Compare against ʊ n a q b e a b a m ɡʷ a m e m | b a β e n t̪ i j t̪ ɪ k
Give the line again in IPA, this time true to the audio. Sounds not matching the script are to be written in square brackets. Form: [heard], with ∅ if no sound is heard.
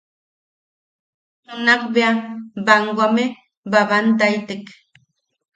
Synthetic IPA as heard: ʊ n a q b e a b a [ŋ] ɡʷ a m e [∅] | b a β [a] n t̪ [a] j t̪ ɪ k